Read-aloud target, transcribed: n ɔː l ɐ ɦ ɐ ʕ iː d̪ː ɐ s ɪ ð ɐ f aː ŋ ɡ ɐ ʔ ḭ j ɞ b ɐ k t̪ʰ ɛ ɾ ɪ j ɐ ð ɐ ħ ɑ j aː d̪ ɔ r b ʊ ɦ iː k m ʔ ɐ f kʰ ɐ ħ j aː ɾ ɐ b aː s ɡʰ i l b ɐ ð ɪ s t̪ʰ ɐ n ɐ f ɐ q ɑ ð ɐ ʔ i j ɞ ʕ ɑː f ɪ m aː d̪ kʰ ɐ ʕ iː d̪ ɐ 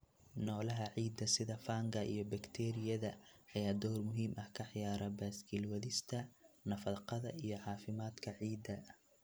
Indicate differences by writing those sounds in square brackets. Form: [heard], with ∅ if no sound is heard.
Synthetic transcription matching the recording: n ɔː l ɐ ɦ ɐ ʕ iː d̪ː ɐ s ɪ ð ɐ f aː ŋ ɡ ɐ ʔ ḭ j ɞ b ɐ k t̪ʰ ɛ ɾ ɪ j ɐ ð ɐ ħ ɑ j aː d̪ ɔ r [m] ʊ ɦ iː [∅] m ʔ ɐ [h] kʰ ɐ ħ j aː ɾ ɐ b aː s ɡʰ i l [w] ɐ ð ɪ s t̪ʰ ɐ n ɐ f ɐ q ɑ ð ɐ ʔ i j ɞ ʕ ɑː f ɪ m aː d̪ kʰ ɐ ʕ iː d̪ ɐ